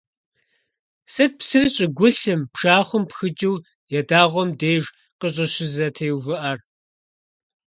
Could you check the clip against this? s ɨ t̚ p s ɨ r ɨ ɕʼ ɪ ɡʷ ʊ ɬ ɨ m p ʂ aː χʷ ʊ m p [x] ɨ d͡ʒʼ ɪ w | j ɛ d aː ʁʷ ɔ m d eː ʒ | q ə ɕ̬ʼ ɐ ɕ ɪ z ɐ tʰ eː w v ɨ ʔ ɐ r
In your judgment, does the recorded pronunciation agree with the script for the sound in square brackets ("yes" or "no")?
yes